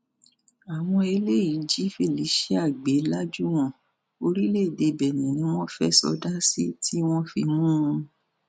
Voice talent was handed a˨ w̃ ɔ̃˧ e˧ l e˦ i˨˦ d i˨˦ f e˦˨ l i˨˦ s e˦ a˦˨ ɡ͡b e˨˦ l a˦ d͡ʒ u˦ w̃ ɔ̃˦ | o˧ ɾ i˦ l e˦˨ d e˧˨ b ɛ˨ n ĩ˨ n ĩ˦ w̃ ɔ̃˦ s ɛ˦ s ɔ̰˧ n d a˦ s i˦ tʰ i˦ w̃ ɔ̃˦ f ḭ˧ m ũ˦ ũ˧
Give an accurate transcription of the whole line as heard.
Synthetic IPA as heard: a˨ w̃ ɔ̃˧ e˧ l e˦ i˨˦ d͡ʒ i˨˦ f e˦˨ l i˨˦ ʃ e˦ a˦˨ ɡ͡b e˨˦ l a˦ d͡ʒ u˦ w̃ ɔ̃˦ | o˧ ɾ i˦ l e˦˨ d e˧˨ b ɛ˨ n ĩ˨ n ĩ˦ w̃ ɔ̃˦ f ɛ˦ s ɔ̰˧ d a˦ s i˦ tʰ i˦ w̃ ɔ̃˦ f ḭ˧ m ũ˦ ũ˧